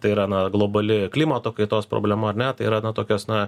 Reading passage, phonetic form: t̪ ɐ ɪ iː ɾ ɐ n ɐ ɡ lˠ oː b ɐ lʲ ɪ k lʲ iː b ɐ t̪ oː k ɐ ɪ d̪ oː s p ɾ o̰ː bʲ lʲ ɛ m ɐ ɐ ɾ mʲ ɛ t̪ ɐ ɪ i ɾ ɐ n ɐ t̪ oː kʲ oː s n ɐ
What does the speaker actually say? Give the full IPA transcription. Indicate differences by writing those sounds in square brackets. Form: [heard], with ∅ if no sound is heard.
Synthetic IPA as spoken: t̪ ɐ ɪ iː ɾ ɐ n ɐ ɡ lˠ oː b ɐ lʲ ɪ k lʲ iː [m] ɐ t̪ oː k ɐ ɪ [t̪] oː s p ɾ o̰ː bʲ lʲ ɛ m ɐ ɐ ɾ [nʲ] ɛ t̪ ɐ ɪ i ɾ ɐ n ɐ t̪ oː kʲ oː s n ɐ